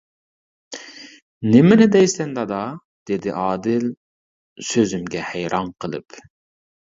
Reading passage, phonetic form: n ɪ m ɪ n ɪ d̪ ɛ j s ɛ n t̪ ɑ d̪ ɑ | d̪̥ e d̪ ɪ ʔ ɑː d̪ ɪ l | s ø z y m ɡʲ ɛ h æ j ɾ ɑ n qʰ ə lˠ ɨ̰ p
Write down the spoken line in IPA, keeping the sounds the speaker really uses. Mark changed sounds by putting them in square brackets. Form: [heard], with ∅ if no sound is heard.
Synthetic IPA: n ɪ m ɪ n ɪ d̪ ɛ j s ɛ n [d̪] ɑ d̪ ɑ | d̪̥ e d̪ ɪ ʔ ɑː d̪ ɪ l | s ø z y m ɡʲ ɛ h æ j ɾ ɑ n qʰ ə lˠ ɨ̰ p